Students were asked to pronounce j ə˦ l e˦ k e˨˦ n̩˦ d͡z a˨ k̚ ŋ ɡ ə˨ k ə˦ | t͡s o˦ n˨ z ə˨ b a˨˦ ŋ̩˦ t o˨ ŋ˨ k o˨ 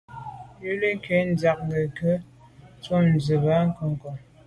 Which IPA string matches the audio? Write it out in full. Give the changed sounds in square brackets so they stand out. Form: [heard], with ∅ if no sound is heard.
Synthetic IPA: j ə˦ l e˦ k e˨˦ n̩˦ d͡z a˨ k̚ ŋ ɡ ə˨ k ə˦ | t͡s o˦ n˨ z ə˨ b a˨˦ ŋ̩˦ [k] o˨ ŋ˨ k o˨